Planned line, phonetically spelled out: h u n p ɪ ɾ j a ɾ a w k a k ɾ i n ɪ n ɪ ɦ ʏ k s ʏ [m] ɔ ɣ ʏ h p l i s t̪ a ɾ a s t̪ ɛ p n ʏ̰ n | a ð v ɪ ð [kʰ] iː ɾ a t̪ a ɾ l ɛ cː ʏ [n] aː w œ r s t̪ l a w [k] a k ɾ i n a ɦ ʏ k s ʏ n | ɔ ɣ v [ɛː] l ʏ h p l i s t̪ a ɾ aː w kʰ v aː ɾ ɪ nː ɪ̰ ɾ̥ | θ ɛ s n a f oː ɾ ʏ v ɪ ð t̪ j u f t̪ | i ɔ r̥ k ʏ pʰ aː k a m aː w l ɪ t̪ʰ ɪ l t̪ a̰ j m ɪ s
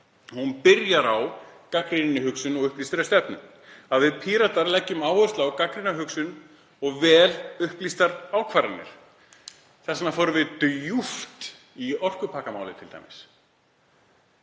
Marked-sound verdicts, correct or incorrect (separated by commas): incorrect, incorrect, incorrect, correct, correct